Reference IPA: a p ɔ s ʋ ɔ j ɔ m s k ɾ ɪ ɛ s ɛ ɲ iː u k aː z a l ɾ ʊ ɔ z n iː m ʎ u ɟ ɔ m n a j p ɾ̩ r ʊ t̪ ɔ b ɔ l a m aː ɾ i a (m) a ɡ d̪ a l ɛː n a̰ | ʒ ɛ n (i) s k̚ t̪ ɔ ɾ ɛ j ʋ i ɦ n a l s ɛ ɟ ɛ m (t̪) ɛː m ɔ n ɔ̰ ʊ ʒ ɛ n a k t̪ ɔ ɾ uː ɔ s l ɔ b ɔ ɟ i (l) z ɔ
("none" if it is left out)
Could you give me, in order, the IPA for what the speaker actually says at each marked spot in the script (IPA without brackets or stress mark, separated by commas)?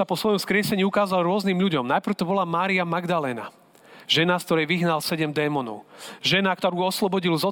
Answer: m, a, d̪, l